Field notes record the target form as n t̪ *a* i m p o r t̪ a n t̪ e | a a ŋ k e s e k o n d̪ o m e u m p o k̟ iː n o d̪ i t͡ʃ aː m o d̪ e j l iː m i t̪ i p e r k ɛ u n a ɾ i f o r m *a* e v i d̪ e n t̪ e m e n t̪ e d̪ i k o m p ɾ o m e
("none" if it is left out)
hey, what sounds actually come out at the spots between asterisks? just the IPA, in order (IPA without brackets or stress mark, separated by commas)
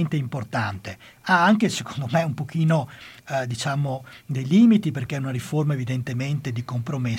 e, a